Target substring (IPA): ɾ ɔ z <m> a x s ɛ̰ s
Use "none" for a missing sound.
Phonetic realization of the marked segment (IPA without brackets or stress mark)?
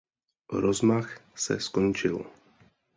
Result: m